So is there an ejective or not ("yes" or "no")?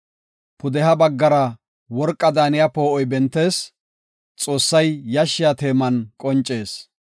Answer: yes